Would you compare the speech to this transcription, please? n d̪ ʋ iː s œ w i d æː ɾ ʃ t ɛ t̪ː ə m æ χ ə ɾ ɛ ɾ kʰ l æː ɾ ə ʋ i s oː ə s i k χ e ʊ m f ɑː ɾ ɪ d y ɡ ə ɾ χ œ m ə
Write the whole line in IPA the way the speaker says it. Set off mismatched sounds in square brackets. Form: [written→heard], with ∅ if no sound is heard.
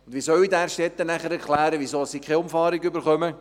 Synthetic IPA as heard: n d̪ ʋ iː s œ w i d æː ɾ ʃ t ɛ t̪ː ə [m→n] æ χ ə ɾ ɛ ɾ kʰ l æː ɾ ə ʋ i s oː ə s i k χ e ʊ m f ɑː ɾ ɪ [d→ɡ] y [ɡ→b] ə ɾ χ œ m ə